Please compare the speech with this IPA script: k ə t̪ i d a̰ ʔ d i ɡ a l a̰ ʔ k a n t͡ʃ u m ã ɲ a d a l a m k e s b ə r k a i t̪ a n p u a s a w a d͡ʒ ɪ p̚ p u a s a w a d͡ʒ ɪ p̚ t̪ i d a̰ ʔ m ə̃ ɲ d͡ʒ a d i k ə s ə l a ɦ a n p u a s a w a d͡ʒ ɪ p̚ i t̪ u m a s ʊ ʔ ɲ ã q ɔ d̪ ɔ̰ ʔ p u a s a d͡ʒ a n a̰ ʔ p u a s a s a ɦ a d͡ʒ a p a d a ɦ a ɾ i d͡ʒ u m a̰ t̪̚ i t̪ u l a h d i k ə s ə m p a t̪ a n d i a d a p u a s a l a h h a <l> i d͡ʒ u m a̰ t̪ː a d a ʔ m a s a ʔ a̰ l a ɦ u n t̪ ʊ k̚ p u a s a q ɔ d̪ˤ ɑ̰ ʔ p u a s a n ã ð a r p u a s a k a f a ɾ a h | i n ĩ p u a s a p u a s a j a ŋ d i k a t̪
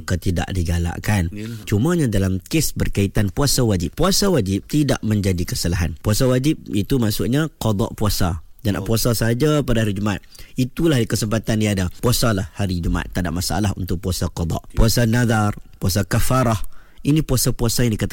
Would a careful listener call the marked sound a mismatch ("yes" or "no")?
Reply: yes